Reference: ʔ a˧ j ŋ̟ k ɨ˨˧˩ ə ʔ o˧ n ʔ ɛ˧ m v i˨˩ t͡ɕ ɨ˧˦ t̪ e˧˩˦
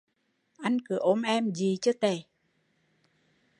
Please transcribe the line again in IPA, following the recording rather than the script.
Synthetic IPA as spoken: ʔ a˧ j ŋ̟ k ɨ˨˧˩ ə ʔ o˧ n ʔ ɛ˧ m z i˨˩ t͡ɕ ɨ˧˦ t̪ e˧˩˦